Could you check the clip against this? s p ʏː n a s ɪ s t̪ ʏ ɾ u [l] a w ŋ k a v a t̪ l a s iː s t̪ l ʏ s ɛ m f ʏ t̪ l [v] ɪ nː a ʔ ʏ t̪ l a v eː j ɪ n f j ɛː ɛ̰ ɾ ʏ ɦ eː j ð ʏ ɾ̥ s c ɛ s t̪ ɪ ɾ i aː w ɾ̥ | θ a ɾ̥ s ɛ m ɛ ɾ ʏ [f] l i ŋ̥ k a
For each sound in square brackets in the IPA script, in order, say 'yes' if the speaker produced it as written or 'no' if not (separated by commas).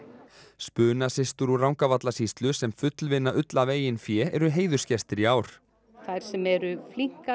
no, yes, yes